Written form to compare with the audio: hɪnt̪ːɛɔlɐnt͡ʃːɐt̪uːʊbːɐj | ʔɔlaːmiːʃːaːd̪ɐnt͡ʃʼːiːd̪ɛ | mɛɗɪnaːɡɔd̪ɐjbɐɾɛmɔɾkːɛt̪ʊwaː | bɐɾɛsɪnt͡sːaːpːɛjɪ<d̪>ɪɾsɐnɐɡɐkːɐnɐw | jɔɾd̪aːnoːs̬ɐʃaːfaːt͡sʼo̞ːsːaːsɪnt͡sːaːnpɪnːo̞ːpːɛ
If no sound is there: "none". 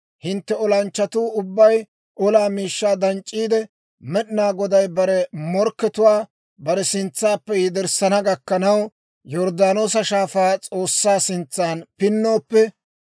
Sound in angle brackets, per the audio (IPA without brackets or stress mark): d̪